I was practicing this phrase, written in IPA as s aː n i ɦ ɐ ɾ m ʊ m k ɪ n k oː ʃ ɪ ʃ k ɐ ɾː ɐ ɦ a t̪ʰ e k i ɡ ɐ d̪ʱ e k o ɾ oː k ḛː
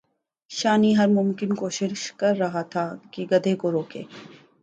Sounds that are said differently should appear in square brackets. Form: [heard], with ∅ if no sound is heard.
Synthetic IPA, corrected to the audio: [ʃ] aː n i ɦ ɐ ɾ m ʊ m k ɪ n k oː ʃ ɪ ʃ k ɐ ɾː ɐ ɦ a t̪ʰ [a] k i ɡ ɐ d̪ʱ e k o ɾ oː k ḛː